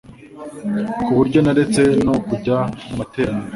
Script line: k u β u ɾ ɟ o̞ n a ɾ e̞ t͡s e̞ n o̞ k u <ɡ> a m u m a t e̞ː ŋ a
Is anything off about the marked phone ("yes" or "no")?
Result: yes